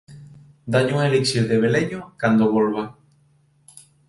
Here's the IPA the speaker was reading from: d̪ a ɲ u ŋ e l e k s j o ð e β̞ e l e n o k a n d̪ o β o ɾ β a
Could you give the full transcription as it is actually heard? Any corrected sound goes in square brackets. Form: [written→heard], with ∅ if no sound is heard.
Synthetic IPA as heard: d̪ a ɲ u ŋ e l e k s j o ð e β̞ e l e [n→ɲ] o k a n d̪ o β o [ɾ→l] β a